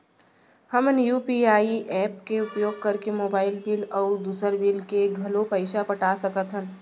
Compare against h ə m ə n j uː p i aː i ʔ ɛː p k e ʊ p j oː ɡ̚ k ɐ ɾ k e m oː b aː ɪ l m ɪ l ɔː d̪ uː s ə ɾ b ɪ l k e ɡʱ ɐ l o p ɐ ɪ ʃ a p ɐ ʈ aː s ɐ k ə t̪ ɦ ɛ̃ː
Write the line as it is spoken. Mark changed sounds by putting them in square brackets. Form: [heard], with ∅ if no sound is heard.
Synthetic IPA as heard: h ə m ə n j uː p i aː i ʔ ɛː p k e ʊ p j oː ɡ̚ k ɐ ɾ k e m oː b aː ɪ l [b] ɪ l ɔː d̪ uː s ə ɾ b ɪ l k e ɡʱ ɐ l o p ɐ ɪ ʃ a p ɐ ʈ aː s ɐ k ə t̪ ɦ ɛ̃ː